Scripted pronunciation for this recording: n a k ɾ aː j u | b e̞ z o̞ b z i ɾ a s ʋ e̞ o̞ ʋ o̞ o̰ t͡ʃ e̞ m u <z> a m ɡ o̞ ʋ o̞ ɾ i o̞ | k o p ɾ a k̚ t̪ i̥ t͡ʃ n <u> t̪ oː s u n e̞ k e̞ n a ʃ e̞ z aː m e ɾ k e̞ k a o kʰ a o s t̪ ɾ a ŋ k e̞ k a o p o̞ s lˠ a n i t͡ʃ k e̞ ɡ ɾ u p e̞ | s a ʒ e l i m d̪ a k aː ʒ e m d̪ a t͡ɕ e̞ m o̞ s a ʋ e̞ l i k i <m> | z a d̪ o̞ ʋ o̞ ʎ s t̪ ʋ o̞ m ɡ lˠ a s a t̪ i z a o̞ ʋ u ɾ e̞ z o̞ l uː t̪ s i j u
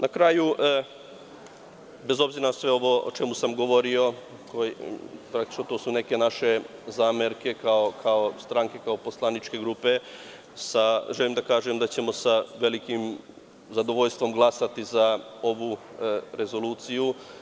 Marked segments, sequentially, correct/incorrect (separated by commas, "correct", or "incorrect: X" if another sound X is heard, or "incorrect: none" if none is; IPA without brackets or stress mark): incorrect: s, incorrect: o, correct